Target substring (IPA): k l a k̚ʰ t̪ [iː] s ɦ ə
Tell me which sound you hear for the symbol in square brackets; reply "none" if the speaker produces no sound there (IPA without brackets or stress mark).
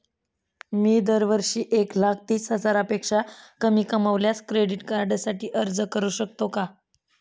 iː